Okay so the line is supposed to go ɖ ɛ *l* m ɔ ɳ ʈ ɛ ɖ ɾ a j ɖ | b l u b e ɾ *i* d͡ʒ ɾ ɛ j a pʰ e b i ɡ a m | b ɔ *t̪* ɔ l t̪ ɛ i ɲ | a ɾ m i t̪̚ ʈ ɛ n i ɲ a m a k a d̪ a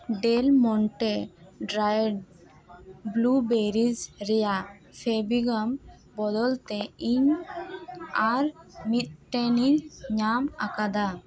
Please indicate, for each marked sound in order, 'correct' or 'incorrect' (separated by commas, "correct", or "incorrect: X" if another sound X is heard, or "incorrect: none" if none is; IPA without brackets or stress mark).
correct, correct, incorrect: d̪